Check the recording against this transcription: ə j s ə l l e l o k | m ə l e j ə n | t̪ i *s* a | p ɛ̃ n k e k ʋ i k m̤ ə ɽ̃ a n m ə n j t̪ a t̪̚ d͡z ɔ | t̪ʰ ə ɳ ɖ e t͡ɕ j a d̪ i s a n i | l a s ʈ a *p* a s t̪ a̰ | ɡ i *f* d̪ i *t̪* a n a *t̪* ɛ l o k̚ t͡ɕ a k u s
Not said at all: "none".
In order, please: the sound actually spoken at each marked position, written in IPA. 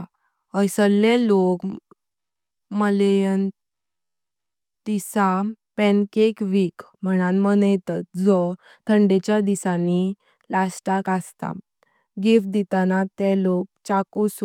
s, k, f, t̪, t̪

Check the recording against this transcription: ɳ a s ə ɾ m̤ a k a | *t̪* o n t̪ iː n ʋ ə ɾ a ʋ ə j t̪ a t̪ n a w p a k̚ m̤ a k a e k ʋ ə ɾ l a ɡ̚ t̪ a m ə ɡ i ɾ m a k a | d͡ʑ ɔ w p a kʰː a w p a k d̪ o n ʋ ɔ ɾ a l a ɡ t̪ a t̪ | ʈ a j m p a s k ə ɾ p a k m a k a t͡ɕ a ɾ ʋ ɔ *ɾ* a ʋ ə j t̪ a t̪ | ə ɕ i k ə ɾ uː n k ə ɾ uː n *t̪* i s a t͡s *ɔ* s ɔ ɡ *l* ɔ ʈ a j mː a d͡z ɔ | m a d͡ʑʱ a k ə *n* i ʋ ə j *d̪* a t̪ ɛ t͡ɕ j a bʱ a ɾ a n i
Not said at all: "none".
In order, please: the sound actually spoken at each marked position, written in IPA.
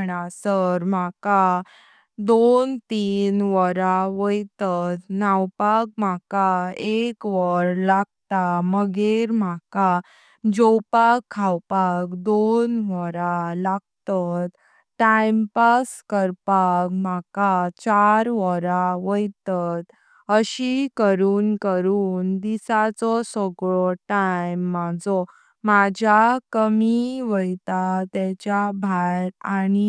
d̪, ɾ, d̪, ɔ, ɭ, m, t̪

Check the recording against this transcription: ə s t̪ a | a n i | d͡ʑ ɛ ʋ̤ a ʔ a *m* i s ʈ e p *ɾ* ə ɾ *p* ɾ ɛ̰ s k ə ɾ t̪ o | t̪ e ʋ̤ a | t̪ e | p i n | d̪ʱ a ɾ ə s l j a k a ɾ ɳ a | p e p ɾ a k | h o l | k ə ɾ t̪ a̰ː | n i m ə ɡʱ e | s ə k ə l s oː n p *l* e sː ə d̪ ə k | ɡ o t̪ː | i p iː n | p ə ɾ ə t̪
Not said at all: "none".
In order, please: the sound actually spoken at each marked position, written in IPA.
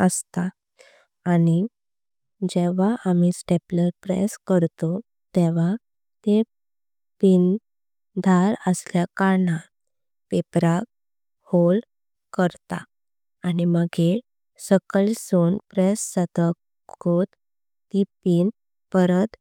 m, l, p, ɾ

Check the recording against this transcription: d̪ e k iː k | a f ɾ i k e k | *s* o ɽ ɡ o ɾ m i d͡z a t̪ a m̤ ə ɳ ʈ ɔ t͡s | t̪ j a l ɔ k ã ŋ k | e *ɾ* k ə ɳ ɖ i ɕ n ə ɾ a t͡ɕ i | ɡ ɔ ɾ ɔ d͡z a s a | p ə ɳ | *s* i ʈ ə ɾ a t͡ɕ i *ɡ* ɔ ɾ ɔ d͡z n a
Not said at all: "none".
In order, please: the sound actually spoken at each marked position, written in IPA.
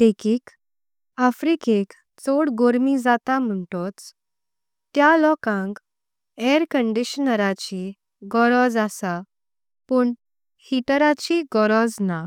t͡s, ɾ, h, ɡ

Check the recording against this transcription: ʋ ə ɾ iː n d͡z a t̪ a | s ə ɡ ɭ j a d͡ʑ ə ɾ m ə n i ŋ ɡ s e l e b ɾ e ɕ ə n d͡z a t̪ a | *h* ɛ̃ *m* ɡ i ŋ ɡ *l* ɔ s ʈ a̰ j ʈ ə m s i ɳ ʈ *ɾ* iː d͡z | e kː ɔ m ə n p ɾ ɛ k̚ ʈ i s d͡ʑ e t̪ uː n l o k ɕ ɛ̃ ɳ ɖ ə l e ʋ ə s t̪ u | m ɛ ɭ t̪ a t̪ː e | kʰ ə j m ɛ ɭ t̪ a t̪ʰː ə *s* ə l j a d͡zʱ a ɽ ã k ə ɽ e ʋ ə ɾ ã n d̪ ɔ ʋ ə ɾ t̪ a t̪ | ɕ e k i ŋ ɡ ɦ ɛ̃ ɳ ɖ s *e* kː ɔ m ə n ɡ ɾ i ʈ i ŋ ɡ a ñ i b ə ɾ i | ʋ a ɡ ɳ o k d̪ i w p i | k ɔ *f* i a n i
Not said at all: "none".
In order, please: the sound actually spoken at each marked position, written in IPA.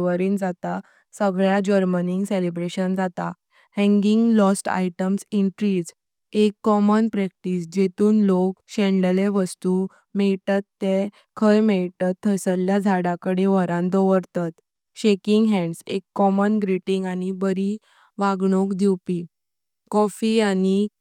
h, ŋ, l, ɾ, s, e, f

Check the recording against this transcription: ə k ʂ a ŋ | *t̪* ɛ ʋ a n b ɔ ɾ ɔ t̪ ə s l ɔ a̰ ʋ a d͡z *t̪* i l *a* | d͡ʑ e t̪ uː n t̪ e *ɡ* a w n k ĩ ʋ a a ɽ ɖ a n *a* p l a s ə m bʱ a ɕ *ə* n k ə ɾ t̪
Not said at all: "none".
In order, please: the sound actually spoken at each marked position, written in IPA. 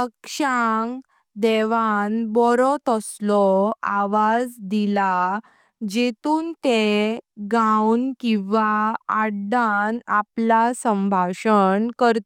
d̪, d̪, a, ɡ, a, ə

